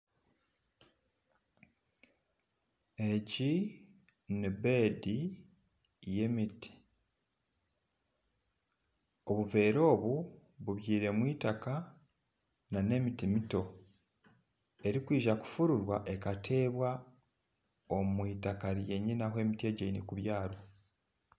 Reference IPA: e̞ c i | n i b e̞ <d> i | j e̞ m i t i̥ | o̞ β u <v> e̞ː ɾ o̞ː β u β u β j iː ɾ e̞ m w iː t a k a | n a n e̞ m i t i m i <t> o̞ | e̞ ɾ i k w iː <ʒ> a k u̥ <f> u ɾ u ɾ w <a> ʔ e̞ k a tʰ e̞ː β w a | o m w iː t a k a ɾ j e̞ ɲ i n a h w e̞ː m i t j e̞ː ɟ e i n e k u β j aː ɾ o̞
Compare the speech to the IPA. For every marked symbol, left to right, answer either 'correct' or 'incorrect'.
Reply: correct, correct, correct, correct, correct, correct

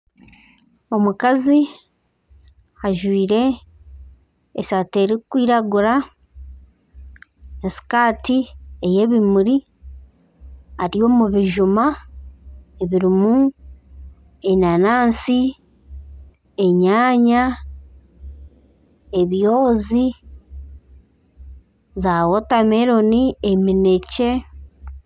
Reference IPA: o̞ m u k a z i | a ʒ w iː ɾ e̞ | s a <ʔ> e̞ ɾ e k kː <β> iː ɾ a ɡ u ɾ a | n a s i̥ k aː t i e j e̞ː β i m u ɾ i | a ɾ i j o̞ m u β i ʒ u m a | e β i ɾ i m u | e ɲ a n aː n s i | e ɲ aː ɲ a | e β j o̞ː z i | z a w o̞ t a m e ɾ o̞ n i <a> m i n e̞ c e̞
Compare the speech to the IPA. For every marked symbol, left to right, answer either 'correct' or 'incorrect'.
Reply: incorrect, incorrect, incorrect

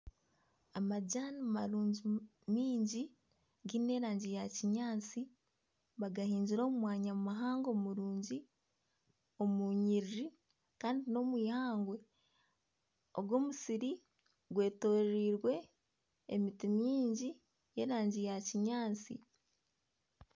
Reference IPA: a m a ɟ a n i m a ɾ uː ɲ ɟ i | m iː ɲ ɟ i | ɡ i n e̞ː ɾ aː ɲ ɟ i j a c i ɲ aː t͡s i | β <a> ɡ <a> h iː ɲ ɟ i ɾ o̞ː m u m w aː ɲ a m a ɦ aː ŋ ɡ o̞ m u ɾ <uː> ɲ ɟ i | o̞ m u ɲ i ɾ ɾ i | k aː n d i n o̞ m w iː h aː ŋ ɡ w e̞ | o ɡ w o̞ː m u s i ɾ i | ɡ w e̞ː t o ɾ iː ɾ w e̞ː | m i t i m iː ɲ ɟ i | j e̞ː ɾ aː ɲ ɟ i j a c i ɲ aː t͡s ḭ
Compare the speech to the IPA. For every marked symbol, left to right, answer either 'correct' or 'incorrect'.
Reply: correct, correct, correct

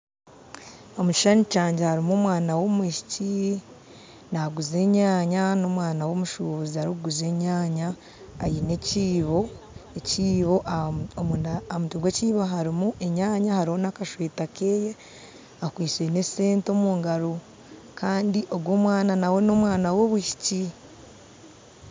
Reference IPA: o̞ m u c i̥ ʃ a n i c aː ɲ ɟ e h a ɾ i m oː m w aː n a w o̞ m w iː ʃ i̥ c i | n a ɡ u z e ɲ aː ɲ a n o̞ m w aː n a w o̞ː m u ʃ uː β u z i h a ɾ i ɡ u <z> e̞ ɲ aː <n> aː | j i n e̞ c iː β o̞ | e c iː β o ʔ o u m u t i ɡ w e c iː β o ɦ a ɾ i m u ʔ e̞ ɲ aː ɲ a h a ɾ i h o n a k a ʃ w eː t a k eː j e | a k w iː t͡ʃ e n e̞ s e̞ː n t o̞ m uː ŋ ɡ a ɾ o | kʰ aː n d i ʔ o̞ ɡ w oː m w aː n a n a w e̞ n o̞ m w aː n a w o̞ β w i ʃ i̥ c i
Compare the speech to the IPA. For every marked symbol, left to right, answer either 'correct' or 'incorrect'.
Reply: correct, incorrect

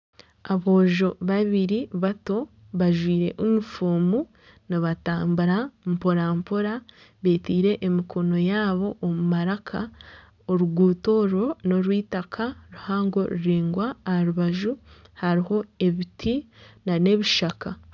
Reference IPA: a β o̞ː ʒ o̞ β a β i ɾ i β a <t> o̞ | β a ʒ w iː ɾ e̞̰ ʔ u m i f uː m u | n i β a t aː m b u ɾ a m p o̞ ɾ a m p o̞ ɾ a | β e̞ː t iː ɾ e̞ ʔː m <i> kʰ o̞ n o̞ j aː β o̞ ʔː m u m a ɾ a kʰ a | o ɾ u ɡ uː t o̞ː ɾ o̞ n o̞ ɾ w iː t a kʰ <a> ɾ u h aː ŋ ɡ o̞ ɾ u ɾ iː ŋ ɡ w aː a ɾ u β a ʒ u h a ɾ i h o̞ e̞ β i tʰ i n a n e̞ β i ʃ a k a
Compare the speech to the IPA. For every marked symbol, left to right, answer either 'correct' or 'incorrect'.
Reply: correct, correct, correct

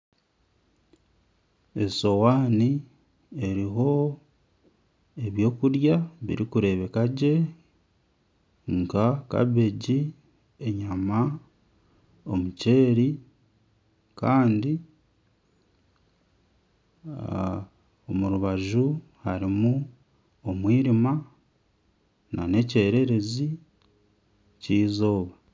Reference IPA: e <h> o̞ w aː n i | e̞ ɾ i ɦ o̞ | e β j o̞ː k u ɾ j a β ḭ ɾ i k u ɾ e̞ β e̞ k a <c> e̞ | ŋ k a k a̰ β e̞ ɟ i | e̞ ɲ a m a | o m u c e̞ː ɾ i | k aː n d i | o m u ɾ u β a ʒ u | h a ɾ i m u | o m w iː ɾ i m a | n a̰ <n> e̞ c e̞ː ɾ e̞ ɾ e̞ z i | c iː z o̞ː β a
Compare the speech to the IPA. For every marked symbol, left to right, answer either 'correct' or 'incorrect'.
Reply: incorrect, incorrect, correct

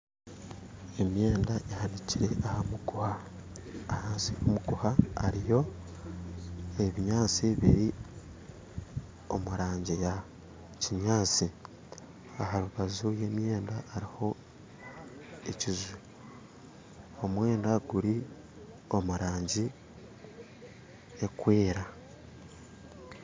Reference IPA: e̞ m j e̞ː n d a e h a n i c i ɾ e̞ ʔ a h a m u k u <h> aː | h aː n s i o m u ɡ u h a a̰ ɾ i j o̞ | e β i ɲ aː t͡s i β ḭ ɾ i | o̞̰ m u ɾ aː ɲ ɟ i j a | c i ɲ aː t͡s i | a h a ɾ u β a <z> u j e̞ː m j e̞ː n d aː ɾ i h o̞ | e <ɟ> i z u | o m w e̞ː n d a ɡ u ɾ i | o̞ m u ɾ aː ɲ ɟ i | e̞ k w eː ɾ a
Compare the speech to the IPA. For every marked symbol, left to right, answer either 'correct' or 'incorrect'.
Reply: correct, correct, incorrect

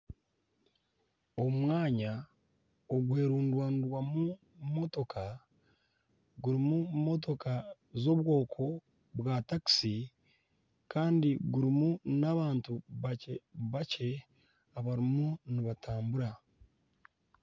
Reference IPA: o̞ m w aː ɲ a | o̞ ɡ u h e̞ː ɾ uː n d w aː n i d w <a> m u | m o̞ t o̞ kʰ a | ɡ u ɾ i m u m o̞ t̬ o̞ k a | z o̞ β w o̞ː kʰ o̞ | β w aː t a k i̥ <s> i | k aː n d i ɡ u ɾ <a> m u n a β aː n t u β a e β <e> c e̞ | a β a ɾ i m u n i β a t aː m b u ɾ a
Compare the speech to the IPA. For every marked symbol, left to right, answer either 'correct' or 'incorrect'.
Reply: correct, correct, incorrect, incorrect

